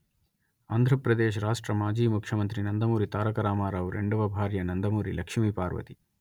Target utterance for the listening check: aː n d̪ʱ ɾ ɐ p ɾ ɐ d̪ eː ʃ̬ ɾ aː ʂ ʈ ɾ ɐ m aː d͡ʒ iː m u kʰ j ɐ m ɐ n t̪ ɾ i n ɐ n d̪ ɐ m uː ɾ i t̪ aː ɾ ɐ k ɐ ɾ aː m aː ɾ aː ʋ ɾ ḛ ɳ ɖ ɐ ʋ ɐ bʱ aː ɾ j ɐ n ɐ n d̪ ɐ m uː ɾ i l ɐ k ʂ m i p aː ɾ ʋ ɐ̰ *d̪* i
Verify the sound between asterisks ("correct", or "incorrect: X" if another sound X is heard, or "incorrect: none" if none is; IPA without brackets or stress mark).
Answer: incorrect: t̪